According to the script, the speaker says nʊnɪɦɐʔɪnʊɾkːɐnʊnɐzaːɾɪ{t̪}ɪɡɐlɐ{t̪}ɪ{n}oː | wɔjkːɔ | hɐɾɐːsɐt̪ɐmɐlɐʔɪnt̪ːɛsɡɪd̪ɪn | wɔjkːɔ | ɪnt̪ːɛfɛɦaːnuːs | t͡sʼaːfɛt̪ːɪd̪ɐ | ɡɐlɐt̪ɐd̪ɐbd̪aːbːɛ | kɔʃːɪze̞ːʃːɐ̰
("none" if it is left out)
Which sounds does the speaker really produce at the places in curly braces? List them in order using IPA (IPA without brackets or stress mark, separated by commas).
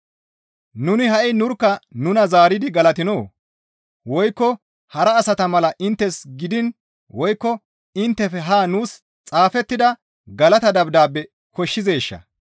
d̪, t̪, n